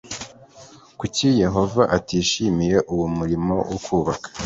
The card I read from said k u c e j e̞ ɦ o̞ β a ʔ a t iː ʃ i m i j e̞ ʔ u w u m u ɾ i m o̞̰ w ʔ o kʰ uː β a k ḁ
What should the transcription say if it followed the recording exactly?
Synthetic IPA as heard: k u c i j e̞ ɦ o̞ v a ʔ a t iː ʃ i m i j e̞ ʔ u w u m u ɾ i m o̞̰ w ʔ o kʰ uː β a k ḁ